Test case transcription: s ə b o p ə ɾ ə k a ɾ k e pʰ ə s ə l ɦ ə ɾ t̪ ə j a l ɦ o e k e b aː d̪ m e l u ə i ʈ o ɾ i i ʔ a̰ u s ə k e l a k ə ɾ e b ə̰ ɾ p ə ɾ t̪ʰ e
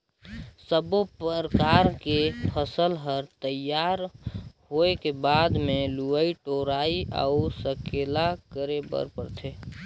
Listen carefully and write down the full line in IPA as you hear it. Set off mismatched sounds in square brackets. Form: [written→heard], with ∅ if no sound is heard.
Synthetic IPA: s ə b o p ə ɾ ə k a ɾ k e pʰ ə s ə l ɦ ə ɾ t̪ ə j a [l→ɾ] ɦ o e k e b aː d̪ m e l u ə i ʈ o ɾ [i→a] i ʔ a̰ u s ə k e l a k ə ɾ e b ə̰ ɾ p ə ɾ t̪ʰ e